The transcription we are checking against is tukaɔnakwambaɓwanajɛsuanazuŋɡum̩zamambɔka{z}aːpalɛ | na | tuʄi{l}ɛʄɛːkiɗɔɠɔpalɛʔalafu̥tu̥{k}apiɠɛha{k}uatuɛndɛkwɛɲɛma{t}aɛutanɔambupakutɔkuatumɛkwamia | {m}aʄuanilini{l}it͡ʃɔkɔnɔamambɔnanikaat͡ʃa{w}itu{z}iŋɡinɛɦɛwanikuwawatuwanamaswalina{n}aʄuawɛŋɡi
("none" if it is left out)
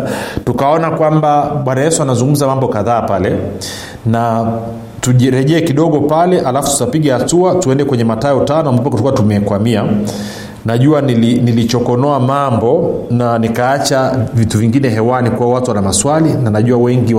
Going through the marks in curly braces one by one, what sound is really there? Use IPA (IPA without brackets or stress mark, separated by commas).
ð, ɾ, t, t, t, n, l, v, v, n